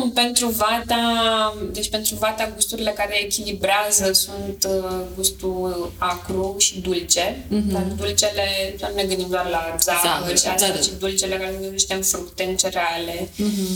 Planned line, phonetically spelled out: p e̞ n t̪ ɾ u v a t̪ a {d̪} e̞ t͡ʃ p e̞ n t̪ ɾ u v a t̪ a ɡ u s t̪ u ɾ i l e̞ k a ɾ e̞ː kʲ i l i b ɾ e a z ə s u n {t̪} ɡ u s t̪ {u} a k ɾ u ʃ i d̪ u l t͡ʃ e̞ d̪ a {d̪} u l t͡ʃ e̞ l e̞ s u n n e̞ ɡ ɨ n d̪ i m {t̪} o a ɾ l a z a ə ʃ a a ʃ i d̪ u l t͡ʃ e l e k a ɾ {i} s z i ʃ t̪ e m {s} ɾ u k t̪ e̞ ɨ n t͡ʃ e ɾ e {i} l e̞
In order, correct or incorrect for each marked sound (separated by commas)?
correct, correct, correct, correct, incorrect, incorrect, incorrect, incorrect